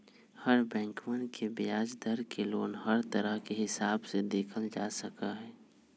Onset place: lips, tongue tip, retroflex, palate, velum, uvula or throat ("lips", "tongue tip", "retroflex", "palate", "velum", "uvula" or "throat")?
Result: throat